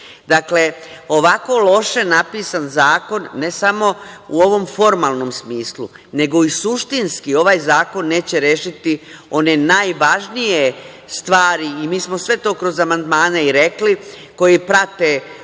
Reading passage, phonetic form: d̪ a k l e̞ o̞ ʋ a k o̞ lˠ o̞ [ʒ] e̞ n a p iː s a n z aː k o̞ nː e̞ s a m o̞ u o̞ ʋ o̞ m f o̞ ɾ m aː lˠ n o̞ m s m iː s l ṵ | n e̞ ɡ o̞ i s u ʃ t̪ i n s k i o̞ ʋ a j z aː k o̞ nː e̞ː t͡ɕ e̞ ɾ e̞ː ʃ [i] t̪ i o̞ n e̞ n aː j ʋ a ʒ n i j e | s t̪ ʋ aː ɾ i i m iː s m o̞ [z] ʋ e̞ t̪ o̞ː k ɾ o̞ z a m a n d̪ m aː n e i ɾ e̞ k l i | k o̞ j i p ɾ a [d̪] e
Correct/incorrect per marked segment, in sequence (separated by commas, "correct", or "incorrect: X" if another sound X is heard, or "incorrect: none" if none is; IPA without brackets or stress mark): incorrect: ʃ, correct, incorrect: s, incorrect: t̪